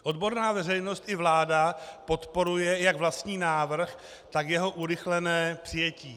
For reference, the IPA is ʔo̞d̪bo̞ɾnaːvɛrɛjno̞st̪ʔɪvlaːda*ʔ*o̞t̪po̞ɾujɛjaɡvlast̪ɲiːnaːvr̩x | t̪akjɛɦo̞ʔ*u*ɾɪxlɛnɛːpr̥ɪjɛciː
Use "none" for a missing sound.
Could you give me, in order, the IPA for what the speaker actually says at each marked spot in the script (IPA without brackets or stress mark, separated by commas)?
p, u